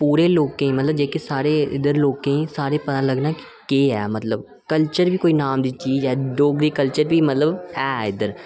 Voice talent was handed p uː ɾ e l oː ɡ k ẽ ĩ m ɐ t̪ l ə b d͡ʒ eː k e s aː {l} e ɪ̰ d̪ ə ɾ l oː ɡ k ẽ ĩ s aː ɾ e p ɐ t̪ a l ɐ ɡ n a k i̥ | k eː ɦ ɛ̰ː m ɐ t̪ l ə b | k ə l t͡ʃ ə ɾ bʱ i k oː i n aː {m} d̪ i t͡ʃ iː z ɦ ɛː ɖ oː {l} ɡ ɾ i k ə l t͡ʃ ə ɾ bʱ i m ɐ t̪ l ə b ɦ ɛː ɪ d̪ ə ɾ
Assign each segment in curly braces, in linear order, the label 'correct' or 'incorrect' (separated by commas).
incorrect, correct, incorrect